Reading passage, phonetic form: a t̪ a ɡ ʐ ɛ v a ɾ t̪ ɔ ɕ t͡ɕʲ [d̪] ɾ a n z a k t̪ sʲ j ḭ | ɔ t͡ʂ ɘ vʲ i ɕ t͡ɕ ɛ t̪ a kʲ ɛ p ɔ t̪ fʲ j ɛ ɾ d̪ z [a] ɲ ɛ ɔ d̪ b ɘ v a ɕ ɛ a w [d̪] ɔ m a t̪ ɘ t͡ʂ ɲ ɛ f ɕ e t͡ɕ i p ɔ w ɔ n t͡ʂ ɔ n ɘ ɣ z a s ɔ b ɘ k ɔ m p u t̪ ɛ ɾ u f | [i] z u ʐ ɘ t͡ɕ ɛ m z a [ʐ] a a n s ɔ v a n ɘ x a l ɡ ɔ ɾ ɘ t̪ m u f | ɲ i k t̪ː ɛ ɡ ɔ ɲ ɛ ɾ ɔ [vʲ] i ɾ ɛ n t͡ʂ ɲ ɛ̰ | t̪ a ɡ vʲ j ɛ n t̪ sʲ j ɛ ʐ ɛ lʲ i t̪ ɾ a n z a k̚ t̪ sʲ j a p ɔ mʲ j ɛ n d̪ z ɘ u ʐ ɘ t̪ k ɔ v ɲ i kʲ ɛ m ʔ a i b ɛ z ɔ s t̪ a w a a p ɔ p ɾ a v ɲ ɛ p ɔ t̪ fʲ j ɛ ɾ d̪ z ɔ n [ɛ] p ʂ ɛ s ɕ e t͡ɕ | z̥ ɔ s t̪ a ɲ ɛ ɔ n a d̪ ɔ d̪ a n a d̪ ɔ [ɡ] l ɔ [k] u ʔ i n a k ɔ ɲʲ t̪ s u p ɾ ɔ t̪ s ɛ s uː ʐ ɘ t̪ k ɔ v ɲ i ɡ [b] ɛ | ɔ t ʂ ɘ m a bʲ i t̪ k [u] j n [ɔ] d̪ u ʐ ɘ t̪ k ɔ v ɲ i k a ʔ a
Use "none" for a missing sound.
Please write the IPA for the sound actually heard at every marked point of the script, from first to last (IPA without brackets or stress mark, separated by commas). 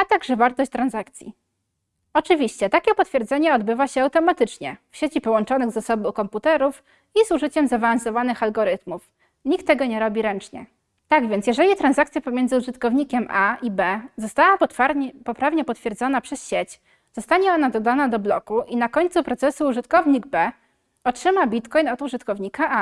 t̪, ɛ, t̪, i, v, bʲ, a, b, k, b, ɔ, ɔ